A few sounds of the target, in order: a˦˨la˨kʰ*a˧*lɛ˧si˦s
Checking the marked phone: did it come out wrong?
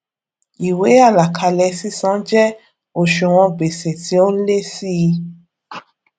no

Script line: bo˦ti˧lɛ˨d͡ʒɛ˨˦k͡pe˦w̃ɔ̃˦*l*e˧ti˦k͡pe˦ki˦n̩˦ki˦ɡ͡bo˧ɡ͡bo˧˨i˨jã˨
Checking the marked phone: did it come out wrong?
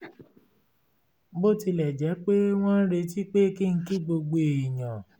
yes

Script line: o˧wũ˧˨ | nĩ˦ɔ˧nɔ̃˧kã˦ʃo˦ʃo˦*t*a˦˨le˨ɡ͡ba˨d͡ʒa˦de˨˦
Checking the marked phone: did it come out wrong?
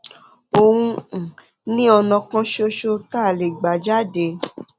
no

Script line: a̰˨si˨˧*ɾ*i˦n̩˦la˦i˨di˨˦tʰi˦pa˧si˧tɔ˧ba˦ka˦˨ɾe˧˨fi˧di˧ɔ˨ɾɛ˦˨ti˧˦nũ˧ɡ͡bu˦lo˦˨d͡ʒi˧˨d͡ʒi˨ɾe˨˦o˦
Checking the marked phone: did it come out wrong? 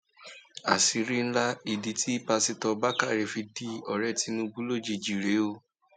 no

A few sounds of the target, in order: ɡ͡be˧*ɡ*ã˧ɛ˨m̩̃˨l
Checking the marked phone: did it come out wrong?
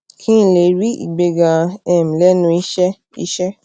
no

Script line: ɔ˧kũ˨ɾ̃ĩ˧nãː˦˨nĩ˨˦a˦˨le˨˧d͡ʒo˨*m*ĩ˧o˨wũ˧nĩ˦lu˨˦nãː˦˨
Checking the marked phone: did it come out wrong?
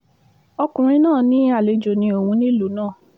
yes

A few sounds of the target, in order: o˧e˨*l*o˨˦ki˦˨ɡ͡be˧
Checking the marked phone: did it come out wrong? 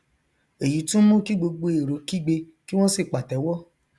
yes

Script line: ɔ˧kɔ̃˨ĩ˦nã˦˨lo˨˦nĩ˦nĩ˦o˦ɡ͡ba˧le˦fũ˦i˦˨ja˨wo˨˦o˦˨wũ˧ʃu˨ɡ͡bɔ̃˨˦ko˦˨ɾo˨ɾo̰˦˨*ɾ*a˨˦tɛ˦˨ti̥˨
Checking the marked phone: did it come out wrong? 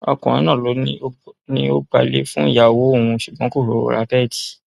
no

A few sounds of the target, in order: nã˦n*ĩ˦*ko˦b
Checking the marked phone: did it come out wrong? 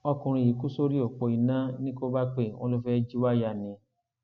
no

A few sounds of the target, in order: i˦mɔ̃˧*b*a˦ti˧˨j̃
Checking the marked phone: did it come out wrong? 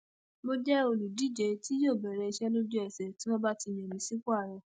no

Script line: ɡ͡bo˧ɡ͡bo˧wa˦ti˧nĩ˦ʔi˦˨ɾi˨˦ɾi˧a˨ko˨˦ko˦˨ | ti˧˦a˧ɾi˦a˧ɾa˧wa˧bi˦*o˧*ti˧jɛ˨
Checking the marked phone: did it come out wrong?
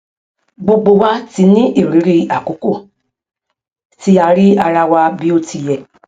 no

